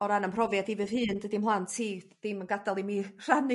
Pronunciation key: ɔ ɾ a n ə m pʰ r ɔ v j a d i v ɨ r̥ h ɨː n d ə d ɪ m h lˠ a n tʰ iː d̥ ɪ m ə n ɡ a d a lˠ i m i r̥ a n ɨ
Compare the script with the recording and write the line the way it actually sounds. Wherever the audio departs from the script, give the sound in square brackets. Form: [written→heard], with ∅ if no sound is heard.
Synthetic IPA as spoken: ɔ ɾ a n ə m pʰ r ɔ v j a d i v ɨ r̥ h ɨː n d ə d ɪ m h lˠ a n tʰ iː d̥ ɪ m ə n ɡ a d a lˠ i m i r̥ a n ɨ